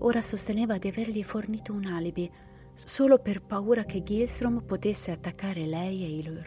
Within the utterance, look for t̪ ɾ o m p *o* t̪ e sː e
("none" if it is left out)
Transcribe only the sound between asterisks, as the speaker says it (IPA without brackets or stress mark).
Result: o